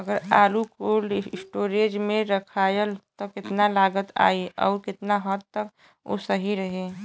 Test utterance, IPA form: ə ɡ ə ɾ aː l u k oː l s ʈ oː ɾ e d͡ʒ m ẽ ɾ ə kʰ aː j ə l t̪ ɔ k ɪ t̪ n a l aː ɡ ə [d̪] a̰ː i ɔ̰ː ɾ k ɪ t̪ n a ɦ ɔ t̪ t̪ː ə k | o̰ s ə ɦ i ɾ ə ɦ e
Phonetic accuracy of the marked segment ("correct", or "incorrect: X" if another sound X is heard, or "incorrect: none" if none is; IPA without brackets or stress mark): incorrect: t̪